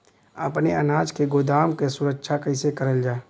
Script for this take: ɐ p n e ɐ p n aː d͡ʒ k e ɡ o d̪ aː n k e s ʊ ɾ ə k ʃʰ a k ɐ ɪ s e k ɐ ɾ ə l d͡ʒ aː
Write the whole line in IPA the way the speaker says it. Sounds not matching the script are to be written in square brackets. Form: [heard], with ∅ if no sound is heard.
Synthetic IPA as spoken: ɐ p n e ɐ [∅] n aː d͡ʒ k e ɡ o d̪ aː [m] k e s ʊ ɾ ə k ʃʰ a k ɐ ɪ s e k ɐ ɾ ə l d͡ʒ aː